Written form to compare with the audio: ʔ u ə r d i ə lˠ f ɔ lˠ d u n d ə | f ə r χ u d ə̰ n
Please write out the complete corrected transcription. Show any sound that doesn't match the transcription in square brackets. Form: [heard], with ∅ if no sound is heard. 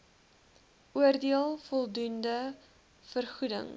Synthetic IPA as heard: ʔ u ə r d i ə lˠ f ɔ lˠ d u n d ə | f ə r χ u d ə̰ [ŋ]